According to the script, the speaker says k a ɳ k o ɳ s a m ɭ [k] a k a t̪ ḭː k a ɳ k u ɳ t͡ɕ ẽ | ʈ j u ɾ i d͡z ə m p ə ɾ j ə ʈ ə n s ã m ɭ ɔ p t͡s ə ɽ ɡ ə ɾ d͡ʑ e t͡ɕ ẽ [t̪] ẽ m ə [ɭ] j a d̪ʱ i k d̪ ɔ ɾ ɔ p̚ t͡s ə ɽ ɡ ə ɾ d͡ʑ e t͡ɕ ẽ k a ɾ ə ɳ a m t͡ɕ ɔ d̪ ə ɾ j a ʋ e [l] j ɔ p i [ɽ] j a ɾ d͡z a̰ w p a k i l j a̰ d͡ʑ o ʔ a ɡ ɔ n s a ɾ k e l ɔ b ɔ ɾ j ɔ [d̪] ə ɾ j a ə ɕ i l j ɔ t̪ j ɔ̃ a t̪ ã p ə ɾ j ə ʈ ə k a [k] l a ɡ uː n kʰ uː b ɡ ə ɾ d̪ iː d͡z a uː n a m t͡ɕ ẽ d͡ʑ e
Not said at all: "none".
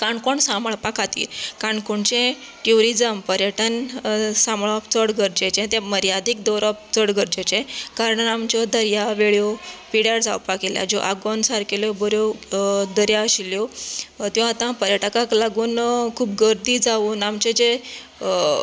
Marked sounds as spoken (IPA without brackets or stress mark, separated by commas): p, t̪, ɾ, ɭ, ɽ, d̪, k